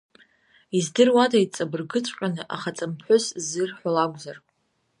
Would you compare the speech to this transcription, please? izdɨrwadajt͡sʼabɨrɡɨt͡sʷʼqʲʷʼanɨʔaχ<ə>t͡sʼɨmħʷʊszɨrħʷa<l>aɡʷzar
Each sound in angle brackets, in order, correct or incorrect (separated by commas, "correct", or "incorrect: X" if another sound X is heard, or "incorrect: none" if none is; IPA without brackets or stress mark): incorrect: a, correct